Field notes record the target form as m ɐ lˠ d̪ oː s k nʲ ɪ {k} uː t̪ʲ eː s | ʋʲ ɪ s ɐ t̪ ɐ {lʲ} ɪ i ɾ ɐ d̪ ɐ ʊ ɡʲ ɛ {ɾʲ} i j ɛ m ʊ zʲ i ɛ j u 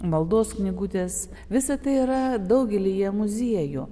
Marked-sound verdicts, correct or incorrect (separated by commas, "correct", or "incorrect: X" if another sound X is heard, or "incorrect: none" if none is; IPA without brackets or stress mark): incorrect: ɡ, incorrect: none, incorrect: lʲ